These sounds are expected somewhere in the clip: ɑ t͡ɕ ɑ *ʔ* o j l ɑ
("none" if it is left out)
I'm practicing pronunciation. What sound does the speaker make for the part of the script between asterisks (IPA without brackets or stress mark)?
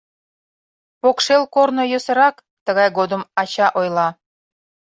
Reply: ʔ